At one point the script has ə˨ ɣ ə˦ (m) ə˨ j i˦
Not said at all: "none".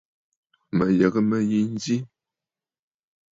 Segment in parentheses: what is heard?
m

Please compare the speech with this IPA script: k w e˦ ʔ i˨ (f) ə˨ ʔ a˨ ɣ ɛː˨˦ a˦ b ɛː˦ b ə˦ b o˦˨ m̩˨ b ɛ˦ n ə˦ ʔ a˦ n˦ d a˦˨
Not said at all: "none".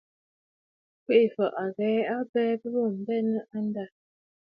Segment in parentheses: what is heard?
f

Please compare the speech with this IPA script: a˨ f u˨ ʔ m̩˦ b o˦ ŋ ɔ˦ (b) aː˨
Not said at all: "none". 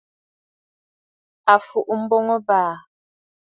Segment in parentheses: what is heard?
b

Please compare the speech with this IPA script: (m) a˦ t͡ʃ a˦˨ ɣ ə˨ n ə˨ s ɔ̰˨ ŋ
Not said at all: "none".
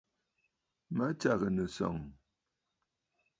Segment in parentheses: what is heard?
m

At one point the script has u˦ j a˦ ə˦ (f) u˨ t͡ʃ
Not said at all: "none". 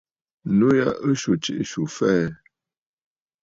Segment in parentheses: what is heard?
ʃ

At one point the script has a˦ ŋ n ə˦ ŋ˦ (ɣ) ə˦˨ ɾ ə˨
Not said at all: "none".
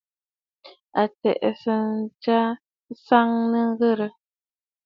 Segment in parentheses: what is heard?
ɣ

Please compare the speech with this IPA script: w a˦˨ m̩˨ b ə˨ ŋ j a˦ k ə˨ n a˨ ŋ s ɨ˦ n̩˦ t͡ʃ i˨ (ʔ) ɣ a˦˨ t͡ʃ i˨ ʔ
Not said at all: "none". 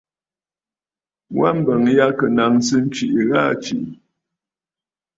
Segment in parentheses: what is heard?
ʔ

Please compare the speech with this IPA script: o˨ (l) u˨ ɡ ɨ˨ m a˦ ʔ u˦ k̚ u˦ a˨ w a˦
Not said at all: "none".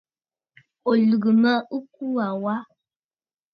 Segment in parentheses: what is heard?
l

